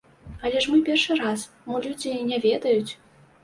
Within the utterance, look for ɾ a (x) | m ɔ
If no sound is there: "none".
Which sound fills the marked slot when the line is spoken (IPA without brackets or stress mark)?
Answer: s